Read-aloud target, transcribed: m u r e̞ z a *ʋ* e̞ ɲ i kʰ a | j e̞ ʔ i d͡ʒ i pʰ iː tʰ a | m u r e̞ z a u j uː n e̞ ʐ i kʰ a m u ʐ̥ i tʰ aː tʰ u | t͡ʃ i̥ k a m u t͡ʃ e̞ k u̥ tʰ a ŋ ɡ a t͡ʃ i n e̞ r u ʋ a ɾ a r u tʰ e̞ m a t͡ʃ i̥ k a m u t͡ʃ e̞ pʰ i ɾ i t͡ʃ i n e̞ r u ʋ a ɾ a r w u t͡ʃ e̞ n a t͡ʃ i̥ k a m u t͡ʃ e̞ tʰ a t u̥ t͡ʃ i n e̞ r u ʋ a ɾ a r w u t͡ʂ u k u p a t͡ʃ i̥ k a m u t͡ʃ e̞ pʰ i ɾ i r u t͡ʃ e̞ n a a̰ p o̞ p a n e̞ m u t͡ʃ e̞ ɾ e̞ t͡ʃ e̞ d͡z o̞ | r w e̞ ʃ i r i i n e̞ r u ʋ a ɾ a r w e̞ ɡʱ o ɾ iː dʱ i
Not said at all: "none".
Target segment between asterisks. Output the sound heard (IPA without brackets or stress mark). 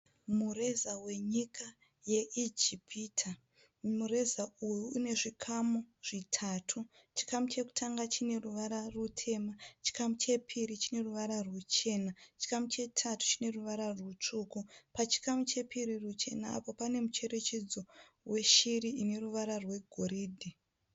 w